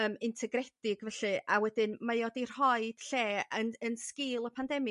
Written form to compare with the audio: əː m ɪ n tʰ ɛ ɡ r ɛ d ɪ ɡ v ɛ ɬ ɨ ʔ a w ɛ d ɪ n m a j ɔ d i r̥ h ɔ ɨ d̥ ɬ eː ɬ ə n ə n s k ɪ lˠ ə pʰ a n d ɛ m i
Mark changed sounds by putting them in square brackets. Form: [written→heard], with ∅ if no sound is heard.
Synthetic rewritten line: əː m ɪ n tʰ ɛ ɡ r ɛ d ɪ ɡ v ɛ ɬ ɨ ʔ a w ɛ d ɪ n m a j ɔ d i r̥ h ɔ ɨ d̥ ɬ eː [ɬ→∅] ə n ə n s k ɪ lˠ ə pʰ a n d ɛ m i